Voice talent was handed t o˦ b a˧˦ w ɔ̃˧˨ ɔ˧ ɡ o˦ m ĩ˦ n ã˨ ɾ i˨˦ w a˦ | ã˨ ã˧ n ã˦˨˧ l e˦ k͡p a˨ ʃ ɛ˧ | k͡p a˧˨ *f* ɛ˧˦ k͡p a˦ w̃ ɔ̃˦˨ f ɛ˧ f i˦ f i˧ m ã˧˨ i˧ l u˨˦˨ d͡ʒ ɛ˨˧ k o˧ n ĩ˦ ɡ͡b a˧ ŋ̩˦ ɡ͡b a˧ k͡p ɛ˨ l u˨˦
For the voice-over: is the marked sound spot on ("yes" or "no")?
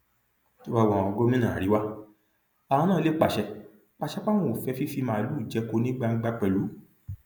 no